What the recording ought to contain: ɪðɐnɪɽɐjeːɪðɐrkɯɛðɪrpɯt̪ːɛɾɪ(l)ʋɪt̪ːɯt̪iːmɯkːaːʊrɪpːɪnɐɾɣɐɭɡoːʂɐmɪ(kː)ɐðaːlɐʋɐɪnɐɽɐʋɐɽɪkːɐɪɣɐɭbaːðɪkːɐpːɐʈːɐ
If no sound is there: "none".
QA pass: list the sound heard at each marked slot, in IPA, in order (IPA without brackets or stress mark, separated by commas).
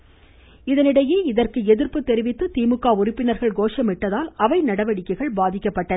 none, ʈː